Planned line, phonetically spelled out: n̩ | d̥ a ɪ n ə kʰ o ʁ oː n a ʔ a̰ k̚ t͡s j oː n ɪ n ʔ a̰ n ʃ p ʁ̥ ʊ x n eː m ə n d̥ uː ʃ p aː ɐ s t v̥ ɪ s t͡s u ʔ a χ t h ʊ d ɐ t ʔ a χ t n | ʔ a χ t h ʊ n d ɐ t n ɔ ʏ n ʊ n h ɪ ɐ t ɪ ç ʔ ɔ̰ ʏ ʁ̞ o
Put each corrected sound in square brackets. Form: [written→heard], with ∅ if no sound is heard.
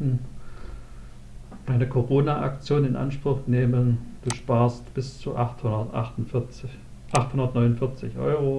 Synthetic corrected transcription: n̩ | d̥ a ɪ n ə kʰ o ʁ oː n a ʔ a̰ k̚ t͡s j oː n ɪ n ʔ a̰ n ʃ p ʁ̥ ʊ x n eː m ə n d̥ uː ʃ p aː ɐ s t [v̥→b̥] ɪ s t͡s u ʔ a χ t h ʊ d ɐ t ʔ a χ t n | ʔ a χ t h ʊ n d ɐ t n ɔ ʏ n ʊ n [h→f] ɪ ɐ [t→t͡s] ɪ ç ʔ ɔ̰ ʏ ʁ̞ o